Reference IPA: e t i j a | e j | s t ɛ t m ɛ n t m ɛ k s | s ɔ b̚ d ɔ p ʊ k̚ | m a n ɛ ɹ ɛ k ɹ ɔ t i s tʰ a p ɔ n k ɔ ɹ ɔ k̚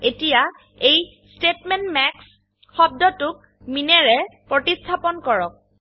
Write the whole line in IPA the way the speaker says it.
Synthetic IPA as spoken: e t i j a | e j | s t e t m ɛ n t m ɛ k s | x ɔ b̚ d ɔ t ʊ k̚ | m i n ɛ ɹ ɛ p ɹ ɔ t i s tʰ a p ɔ n k ɔ ɹ ɔ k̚